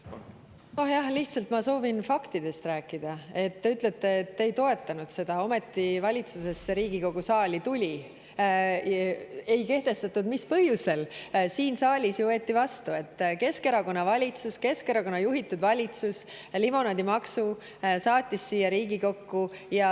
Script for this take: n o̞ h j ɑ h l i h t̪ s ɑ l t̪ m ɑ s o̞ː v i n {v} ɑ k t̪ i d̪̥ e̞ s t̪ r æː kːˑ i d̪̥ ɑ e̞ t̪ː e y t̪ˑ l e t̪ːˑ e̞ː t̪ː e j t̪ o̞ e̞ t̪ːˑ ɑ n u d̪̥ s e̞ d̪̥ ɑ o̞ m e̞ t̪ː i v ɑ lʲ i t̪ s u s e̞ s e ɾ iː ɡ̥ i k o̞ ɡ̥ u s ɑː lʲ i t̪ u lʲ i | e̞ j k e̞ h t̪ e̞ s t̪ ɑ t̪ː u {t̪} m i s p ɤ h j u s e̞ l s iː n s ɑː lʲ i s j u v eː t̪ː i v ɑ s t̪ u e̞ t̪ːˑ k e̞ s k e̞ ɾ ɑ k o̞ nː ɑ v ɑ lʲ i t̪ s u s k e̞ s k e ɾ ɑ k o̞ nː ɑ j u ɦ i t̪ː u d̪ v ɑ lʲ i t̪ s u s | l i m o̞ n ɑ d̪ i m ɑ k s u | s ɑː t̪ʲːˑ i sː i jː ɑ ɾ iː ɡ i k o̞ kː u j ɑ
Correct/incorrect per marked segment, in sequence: incorrect: f, incorrect: d̪

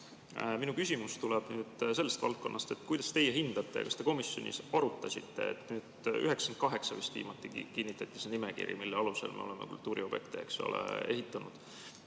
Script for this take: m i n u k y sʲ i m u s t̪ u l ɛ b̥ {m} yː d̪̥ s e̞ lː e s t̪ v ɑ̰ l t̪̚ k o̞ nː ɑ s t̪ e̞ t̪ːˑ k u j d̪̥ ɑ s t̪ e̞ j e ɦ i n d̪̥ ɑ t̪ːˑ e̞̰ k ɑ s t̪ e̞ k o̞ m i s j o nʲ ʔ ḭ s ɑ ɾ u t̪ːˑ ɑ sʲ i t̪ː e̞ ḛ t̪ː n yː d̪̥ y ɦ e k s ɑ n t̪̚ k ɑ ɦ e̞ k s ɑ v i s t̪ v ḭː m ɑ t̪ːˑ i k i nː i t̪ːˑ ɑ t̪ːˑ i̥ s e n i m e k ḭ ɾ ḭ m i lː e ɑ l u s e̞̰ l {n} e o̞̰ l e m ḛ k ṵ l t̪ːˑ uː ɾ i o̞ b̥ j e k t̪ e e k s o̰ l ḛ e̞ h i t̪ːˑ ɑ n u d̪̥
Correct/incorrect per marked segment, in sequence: incorrect: n, incorrect: m

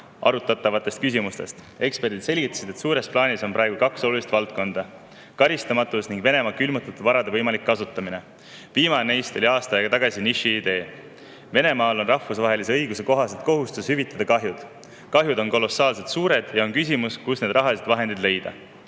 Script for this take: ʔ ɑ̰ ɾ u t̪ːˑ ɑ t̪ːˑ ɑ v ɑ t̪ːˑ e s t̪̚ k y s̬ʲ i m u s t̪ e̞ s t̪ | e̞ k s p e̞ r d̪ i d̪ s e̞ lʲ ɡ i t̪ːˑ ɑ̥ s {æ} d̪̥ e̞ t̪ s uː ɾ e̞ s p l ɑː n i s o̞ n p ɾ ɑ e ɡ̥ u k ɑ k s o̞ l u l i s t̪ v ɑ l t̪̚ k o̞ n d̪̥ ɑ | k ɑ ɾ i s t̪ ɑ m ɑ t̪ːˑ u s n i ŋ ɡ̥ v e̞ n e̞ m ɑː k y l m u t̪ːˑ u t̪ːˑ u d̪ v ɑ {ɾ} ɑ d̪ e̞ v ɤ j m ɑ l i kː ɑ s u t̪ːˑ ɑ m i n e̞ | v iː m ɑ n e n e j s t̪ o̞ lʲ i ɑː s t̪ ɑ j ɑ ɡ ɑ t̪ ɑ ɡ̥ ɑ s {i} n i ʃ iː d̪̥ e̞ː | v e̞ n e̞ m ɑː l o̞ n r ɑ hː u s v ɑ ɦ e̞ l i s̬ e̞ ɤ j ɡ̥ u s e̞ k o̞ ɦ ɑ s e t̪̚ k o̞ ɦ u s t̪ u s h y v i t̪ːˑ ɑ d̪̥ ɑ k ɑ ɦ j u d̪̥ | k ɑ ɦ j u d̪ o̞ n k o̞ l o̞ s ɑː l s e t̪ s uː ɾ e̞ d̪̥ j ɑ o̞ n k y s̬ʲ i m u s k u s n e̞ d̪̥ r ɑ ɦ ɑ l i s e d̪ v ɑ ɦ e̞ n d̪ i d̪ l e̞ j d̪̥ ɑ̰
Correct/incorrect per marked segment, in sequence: incorrect: i, correct, correct

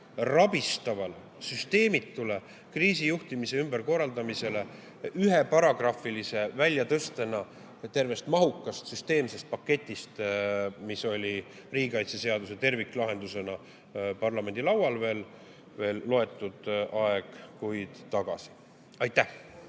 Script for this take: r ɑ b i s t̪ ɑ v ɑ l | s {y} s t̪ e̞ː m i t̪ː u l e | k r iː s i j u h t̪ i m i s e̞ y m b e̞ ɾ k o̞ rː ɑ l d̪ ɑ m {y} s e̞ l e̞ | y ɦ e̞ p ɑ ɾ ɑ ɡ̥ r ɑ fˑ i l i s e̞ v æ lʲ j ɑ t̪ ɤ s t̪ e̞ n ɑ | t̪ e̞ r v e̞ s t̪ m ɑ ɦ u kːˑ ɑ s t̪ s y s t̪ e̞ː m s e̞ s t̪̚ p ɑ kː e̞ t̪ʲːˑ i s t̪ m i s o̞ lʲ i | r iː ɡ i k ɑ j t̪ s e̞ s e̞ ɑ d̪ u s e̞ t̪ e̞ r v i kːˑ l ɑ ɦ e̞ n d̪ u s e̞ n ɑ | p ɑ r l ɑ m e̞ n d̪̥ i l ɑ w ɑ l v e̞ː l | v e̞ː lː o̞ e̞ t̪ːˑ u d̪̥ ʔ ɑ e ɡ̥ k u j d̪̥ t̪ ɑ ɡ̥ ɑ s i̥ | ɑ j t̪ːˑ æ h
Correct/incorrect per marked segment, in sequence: correct, incorrect: i

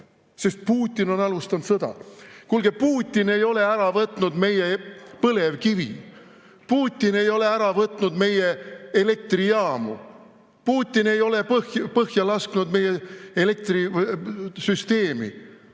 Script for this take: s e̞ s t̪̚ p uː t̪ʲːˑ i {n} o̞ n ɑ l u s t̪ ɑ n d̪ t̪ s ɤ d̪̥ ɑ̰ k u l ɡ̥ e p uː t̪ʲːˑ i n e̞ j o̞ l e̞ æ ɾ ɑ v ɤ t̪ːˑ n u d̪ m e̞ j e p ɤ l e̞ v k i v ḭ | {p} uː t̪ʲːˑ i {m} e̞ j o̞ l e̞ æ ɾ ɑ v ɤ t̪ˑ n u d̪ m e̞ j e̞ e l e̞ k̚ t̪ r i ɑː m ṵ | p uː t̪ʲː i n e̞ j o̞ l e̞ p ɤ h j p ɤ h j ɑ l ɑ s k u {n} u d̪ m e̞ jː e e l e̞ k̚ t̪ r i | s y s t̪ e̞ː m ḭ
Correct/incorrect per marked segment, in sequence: correct, correct, incorrect: n, correct

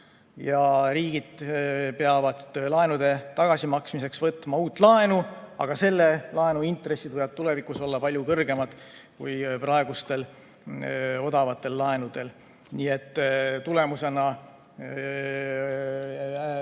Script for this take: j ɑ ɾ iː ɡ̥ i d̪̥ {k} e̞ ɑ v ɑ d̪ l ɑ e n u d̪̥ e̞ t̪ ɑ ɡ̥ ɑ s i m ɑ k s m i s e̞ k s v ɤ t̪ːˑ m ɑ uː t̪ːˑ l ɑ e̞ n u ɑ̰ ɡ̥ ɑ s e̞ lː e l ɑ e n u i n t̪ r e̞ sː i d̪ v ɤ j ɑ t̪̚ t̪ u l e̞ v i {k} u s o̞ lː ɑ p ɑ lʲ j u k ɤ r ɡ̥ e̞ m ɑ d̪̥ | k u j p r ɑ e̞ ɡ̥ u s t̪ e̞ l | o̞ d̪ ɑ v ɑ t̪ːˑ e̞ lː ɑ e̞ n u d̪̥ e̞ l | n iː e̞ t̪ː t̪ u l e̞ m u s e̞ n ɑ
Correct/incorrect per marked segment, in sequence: incorrect: p, correct

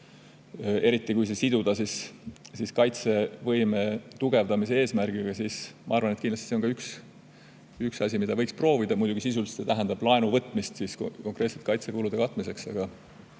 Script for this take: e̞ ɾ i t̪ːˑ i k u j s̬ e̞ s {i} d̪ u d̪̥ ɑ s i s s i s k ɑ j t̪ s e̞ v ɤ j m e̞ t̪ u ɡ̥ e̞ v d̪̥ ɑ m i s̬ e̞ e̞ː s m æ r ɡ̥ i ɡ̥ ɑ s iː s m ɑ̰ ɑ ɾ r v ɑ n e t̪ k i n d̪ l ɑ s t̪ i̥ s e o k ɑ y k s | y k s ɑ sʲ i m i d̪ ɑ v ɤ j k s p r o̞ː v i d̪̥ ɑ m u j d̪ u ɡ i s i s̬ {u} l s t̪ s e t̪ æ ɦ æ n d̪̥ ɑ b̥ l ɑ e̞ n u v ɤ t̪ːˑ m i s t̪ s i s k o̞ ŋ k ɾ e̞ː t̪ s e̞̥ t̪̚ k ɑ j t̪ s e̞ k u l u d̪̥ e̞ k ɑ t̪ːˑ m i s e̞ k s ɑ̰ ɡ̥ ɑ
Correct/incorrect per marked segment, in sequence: correct, correct

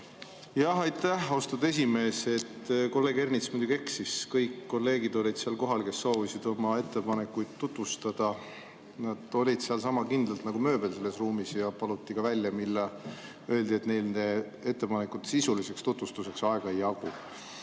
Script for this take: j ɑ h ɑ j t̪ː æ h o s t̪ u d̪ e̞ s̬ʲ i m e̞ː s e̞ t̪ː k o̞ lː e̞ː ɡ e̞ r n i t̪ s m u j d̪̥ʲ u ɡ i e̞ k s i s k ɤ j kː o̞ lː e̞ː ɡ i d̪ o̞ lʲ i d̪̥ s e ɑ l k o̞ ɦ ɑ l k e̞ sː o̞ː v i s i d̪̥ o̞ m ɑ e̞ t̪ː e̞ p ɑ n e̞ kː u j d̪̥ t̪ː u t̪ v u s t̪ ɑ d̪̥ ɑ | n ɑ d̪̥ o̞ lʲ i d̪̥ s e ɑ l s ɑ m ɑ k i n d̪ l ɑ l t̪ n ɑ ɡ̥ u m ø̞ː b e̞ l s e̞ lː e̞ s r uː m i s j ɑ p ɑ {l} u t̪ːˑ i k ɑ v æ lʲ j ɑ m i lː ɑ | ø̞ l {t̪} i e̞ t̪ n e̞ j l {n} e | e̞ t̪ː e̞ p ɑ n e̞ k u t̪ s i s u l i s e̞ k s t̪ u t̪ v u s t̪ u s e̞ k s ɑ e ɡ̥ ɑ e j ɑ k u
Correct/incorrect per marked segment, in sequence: correct, incorrect: d̪, correct

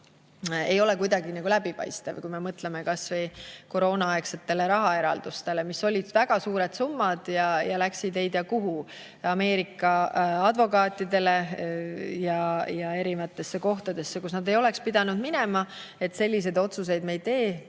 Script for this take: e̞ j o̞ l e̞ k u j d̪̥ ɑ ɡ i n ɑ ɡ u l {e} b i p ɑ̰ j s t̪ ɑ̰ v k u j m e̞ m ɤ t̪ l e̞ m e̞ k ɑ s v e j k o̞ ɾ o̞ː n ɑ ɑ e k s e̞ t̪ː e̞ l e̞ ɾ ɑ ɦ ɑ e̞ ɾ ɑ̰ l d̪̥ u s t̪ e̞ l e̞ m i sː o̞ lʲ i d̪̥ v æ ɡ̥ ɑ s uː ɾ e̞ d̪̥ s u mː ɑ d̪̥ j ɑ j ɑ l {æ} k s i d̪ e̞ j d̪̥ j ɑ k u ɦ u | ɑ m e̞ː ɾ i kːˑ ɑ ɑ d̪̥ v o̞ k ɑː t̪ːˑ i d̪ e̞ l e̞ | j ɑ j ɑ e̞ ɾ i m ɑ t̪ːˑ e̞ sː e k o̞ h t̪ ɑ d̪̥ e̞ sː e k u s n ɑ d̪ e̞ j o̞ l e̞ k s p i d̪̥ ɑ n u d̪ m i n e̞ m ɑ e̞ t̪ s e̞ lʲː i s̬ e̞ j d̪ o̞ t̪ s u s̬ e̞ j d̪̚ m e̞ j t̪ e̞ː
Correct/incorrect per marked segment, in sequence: incorrect: æ, correct

